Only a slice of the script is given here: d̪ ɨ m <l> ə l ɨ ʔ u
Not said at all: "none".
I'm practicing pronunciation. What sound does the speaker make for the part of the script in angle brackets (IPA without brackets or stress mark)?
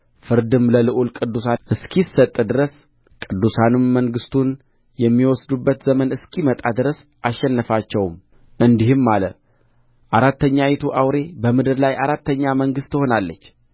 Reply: l